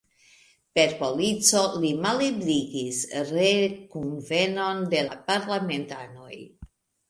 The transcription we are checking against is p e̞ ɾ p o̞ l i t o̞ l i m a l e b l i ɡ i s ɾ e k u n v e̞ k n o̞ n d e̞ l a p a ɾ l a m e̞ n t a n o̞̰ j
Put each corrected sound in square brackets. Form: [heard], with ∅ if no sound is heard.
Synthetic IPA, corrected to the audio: p e̞ ɾ p o̞ l i [t͡s] o̞ l i m a l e b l i ɡ i s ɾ e k u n v e̞ [∅] n o̞ n d e̞ l a p a ɾ l a m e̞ n t a n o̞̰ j

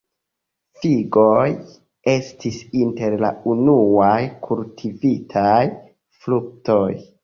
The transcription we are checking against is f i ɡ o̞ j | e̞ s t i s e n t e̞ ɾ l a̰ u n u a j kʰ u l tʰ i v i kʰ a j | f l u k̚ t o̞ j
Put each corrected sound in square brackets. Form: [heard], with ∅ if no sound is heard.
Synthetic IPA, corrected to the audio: f i ɡ o̞ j | e̞ s t i s [i] n t e̞ ɾ l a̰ u n u a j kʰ u l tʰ i v i [tʰ] a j | f l u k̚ t o̞ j

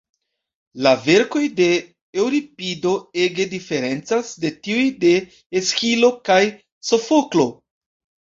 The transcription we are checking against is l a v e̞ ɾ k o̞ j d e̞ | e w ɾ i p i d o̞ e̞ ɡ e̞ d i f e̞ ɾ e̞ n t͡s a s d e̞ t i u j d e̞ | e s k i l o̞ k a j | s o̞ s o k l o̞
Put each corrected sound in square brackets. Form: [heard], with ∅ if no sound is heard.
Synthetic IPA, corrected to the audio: l a v e̞ ɾ k o̞ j d e̞ | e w ɾ i p i d o̞ e̞ ɡ e̞ d i f e̞ ɾ e̞ n t͡s a s d e̞ t i u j d e̞ | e s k i l o̞ k a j | s o̞ [f] o k l o̞

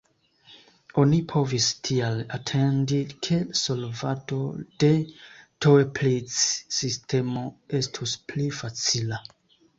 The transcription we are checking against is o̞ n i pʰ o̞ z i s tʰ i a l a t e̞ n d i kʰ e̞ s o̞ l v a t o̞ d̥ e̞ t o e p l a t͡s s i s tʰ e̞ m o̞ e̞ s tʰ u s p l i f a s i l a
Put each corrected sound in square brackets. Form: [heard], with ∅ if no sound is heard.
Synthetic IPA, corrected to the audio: o̞ n i pʰ o̞ [v] i s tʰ i a l a [tʰ] e̞ n d i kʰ e̞ s o̞ l v a t o̞ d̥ e̞ t o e p l [i] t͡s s i s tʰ e̞ m o̞ e̞ s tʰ u s p l i f a [t͡s] i l a

